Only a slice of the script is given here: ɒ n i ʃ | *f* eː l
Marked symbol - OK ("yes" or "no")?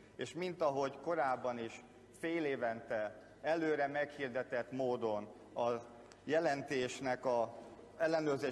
yes